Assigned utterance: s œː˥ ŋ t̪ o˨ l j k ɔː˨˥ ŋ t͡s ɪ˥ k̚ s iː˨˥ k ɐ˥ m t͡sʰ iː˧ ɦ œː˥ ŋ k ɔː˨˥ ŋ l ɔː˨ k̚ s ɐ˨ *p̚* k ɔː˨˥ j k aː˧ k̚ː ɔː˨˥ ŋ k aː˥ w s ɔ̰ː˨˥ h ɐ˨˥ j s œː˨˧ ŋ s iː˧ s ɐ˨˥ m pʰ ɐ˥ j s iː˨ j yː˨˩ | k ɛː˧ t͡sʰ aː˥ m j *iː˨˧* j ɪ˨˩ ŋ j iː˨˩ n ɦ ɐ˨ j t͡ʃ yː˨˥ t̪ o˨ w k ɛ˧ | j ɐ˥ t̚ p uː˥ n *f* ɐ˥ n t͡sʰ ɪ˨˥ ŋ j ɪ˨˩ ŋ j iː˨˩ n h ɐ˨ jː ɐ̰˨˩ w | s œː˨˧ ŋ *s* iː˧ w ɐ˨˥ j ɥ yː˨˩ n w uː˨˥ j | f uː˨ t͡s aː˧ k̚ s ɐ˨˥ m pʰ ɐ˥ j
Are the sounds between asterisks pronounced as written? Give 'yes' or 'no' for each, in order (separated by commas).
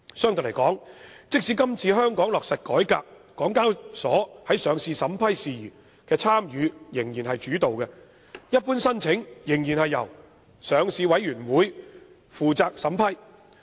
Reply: no, no, no, yes